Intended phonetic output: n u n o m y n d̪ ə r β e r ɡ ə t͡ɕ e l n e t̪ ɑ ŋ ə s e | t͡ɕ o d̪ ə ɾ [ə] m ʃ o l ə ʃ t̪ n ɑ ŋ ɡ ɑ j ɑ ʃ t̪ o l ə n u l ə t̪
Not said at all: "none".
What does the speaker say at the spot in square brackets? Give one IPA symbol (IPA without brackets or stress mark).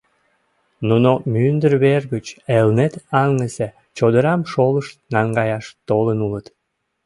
ɑ